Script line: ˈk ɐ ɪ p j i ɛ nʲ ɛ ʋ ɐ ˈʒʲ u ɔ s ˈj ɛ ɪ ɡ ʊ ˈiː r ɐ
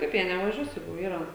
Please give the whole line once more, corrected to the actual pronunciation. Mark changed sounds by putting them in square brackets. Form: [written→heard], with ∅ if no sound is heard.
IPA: ˈk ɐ ɪ p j i ɛ nʲ ɛ ʋ ɐ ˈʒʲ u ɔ s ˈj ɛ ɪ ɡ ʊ ˈiː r ɐ